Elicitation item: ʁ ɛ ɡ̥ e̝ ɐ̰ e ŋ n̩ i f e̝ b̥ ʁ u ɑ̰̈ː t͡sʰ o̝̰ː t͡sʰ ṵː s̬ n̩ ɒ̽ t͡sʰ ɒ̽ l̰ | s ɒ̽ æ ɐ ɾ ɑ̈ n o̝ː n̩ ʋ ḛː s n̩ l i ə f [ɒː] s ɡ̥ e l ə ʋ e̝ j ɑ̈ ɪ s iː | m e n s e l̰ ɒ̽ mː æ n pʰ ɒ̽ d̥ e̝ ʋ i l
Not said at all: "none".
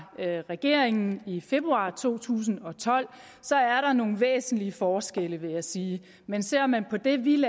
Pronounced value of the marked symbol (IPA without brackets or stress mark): ɒː